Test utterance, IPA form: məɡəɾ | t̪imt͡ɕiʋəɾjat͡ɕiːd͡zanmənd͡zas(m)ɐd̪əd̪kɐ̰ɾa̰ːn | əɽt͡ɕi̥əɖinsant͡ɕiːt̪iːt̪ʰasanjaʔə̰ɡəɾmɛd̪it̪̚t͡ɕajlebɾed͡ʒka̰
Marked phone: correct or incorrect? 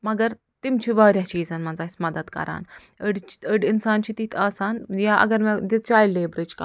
correct